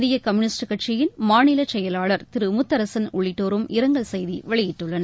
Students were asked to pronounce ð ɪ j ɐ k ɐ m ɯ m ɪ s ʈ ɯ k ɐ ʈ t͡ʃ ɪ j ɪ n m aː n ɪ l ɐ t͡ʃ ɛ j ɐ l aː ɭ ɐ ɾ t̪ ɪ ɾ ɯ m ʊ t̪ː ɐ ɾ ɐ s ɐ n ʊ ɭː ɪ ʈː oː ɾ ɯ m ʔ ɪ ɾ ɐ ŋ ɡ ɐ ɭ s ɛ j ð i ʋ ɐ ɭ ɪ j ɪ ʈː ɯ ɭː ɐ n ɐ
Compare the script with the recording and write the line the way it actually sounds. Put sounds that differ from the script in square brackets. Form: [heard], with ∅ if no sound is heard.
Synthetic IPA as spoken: ð ɪ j ɐ k ɐ m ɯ [n] ɪ s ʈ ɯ k ɐ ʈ t͡ʃ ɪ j ɪ n m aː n ɪ l ɐ t͡ʃ ɛ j ɐ l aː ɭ ɐ ɾ t̪ ɪ ɾ ɯ m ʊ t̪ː ɐ ɾ ɐ s ɐ n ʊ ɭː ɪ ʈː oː ɾ ɯ m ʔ ɪ ɾ ɐ ŋ ɡ ɐ ɭ s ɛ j ð i ʋ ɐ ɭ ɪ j ɪ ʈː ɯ ɭː ɐ n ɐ